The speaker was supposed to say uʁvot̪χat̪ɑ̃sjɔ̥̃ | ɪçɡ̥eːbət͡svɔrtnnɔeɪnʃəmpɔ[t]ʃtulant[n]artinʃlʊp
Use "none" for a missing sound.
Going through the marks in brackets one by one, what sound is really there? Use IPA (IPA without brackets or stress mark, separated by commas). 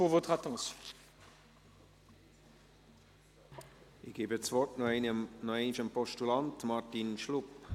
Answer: none, m